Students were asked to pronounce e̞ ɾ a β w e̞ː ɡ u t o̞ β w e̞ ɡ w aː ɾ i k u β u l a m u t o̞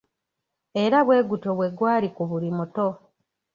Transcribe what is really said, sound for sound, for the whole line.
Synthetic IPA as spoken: e̞ ɾ a β w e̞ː ɡ u t o̞ β w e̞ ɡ w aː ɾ i k u β u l i m u t o̞